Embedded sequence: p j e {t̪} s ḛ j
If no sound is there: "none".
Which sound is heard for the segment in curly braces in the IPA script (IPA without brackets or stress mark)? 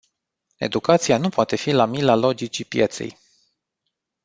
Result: t̪